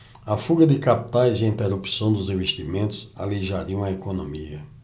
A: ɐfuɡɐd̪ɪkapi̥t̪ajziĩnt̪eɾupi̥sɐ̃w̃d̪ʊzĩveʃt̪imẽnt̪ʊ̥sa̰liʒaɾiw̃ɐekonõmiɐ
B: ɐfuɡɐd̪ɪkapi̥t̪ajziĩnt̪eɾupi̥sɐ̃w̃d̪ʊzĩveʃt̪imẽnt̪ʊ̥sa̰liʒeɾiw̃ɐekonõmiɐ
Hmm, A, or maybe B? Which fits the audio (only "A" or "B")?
A